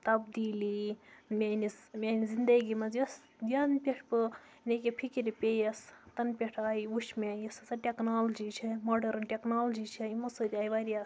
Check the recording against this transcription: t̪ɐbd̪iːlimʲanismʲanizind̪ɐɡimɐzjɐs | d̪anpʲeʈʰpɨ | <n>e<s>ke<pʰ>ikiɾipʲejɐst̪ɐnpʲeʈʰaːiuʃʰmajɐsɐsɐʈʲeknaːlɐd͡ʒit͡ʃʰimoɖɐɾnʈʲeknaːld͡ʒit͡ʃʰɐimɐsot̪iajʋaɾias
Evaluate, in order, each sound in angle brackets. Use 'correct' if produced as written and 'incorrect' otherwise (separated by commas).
correct, incorrect, correct